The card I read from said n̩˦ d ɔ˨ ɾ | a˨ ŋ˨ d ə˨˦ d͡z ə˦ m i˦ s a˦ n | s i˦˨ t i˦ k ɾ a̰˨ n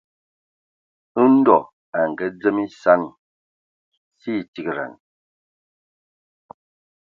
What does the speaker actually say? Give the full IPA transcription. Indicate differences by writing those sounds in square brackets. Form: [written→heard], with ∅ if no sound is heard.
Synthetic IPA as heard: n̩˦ d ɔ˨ [ɾ→∅] | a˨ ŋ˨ [d→ɡ] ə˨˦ d͡z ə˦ m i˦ s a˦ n | s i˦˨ t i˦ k ɾ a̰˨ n